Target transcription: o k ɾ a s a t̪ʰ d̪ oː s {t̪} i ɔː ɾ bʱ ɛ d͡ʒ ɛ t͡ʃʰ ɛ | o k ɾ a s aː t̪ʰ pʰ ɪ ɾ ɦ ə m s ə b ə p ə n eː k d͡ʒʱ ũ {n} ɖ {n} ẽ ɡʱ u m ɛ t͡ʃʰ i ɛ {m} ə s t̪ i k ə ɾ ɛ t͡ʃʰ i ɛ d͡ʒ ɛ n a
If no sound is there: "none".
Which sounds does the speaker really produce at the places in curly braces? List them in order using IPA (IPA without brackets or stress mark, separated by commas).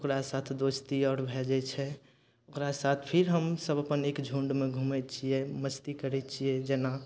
t̪, ɳ, m, m